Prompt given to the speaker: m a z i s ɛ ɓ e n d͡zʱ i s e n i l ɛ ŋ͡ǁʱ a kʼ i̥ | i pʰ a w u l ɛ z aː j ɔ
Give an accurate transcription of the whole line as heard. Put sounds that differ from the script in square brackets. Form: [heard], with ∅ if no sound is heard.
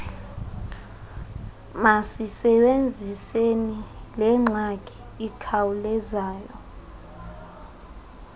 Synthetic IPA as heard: m a [s] i s ɛ ɓ e n d͡zʱ i s e n i l ɛ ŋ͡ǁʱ a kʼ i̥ | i [kʰ] a w u l ɛ z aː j ɔ